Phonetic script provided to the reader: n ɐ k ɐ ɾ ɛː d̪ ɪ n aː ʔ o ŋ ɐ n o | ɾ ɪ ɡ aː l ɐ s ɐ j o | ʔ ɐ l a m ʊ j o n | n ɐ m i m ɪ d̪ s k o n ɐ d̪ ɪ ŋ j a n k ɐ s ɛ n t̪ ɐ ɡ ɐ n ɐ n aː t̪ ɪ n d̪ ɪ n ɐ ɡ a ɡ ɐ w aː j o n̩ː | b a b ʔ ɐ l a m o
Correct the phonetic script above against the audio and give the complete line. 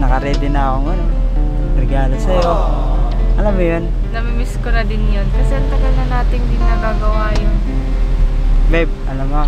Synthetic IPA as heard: n ɐ k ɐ ɾ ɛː d̪ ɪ n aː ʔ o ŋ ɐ n o | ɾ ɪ ɡ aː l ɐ s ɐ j o | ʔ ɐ l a m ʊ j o n | n ɐ m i m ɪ s k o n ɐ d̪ ɪ n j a n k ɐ s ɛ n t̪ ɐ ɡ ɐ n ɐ n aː t̪ ɪ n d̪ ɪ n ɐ ɡ a ɡ ɐ w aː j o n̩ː | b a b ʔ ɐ l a m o